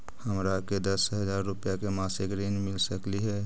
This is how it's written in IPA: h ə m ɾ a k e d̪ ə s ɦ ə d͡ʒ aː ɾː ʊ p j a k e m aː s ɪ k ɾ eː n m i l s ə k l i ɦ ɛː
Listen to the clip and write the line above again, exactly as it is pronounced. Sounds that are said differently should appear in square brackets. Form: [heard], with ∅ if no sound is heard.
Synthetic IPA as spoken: h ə m ɾ a k e d̪ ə s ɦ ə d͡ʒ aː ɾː ʊ p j a k e m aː s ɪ k ɾ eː n m [ɪ] l s ə k l i ɦ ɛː